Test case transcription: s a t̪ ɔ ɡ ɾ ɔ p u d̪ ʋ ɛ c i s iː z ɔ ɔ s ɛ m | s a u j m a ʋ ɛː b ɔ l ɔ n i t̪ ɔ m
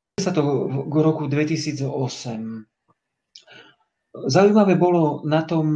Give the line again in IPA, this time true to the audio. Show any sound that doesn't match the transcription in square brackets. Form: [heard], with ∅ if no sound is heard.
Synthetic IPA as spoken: s a t̪ ɔ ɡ ɾ ɔ [k] u d̪ ʋ ɛ c i s iː [d͡z] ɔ ɔ s ɛ m | [z] a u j m a ʋ ɛː b ɔ l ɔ n [a] t̪ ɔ m